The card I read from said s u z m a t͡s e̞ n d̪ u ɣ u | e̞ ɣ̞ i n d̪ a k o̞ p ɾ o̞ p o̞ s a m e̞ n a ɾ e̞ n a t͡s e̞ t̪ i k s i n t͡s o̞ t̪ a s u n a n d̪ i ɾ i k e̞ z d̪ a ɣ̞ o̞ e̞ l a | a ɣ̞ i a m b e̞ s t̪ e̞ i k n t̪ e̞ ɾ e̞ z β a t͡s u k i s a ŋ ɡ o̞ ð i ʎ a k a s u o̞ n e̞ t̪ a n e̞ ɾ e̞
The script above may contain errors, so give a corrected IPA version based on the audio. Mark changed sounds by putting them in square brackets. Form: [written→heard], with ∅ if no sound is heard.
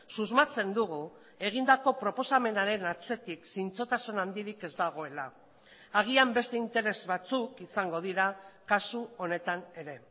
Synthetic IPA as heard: s u z m a t͡s e̞ n d̪ u ɣ u | e̞ ɣ̞ i n d̪ a k o̞ p ɾ o̞ p o̞ s a m e̞ n a ɾ e̞ n a t͡s e̞ t̪ i k s i n t͡s o̞ t̪ a s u n a n d̪ i ɾ i k e̞ z d̪ a ɣ̞ o̞ e̞ l a | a ɣ̞ i a m b e̞ s t̪ e̞ i [k→∅] n t̪ e̞ ɾ e̞ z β a t͡s u k i s a ŋ ɡ o̞ ð i [ʎ→ɾ] a k a s u o̞ n e̞ t̪ a n e̞ ɾ e̞

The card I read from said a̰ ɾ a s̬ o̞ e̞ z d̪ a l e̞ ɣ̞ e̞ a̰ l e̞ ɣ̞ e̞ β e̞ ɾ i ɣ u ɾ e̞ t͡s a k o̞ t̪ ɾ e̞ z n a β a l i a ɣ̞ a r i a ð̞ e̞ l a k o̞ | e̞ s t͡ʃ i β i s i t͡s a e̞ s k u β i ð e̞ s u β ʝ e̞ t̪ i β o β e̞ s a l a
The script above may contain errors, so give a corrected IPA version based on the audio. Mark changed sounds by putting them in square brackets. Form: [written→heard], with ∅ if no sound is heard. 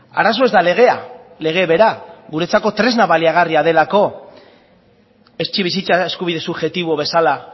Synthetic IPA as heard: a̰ ɾ a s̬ o̞ e̞ z d̪ a l e̞ ɣ̞ e̞ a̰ l e̞ ɣ̞ e̞ β e̞ ɾ [i→a] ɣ u ɾ e̞ t͡s a k o̞ t̪ ɾ e̞ z n a β a l i a ɣ̞ a r i a ð̞ e̞ l a k o̞ | e̞ s t͡ʃ i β i s i t͡s a e̞ s k u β i ð e̞ s u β ʝ e̞ t̪ i β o β e̞ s a l a

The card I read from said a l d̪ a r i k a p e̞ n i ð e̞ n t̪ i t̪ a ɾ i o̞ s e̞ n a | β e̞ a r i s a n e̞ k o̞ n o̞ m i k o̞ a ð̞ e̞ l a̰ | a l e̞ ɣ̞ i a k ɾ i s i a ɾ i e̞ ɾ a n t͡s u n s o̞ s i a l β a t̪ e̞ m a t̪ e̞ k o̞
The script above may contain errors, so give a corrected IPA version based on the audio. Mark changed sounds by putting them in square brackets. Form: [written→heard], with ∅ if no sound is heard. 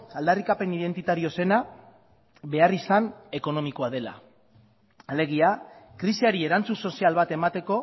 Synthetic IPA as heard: a l d̪ a r i k a p e̞ n i ð e̞ n t̪ i t̪ a ɾ i o̞ s e̞ n a | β e̞ a r i s a n e̞ k o̞ n o̞ m i k o̞ a ð̞ e̞ l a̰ | a l e̞ ɣ̞ i a k ɾ i s i a ɾ i e̞ ɾ a n t͡s u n s o̞ s i a l β a t̪ e̞ m a t̪ e̞ k o̞

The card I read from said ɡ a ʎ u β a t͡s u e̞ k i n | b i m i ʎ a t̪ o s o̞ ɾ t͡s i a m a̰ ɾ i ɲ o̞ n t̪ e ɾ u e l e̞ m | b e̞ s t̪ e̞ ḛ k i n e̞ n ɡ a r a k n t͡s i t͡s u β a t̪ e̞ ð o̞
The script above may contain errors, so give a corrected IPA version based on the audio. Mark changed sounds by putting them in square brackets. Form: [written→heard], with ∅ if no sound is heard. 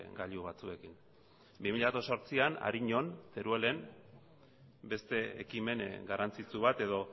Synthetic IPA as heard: ɡ a ʎ u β a t͡s u e̞ k i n | b i m i ʎ a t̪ o s o̞ ɾ t͡s i a [m→n] a̰ ɾ i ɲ o̞ n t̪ e ɾ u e l e̞ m | b e̞ s t̪ e̞ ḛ k i [n→m] e̞ n ɡ a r a [k→∅] n t͡s i t͡s u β a t̪ e̞ ð o̞

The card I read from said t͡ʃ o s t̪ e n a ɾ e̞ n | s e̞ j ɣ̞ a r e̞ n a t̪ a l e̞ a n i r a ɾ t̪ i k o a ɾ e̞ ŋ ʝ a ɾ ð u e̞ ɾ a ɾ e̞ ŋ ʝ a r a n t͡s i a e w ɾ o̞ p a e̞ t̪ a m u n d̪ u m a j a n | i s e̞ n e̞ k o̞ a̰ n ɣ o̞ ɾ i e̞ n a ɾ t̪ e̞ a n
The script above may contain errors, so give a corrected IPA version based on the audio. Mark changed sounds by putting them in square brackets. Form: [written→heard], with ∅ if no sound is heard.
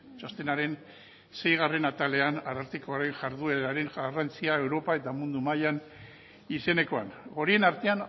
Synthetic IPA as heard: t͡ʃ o s t̪ e n a ɾ e̞ n | s e̞ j ɣ̞ a r e̞ n a t̪ a l e̞ a n [i→a] r a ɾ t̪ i k o a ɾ e̞ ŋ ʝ a ɾ ð u e̞ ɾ a ɾ e̞ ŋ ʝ a r a n t͡s i a e w ɾ o̞ p a e̞ t̪ a m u n d̪ u m a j a n | i s e̞ n e̞ k o̞ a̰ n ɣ o̞ ɾ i e̞ n a ɾ t̪ e̞ a n

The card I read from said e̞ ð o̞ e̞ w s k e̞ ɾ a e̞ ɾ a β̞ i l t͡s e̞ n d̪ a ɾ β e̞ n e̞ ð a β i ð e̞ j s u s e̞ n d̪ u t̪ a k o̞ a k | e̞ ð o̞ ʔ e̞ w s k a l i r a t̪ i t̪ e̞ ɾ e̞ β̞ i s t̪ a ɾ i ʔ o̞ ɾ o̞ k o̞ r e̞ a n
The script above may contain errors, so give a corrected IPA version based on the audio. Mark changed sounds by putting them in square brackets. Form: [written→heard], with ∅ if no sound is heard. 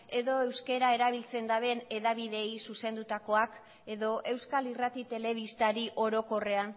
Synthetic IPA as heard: e̞ ð o̞ e̞ w s k e̞ ɾ a e̞ ɾ a β̞ i l t͡s e̞ n d̪ a [ɾ→∅] β e̞ n e̞ ð a β i ð e̞ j s u s e̞ n d̪ u t̪ a k o̞ a k | e̞ ð o̞ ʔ e̞ w s k a l i r a t̪ i t̪ e̞ [ɾ→l] e̞ β̞ i s t̪ a ɾ i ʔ o̞ ɾ o̞ k o̞ r e̞ a n

